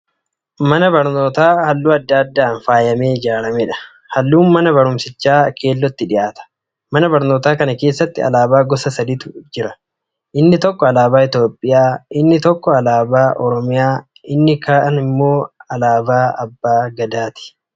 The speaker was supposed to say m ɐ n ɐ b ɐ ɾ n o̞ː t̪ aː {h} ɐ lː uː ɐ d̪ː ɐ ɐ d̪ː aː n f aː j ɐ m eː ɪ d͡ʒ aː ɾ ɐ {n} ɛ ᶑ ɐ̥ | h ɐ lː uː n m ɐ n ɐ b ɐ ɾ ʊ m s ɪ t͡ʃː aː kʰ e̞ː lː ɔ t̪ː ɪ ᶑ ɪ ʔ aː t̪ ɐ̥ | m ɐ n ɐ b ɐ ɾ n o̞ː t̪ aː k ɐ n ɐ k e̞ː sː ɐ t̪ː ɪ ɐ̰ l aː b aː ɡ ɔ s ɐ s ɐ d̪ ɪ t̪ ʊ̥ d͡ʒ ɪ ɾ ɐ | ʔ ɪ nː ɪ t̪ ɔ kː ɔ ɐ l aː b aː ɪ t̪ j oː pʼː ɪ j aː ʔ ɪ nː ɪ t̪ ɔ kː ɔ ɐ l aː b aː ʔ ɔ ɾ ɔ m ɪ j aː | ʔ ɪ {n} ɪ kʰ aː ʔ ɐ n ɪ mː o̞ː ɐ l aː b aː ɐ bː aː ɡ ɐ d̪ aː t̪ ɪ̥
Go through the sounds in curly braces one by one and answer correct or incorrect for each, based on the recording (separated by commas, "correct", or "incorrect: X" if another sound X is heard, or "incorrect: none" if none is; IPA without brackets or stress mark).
correct, incorrect: m, incorrect: nː